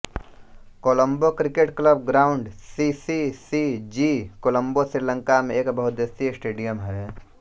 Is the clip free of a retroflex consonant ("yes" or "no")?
no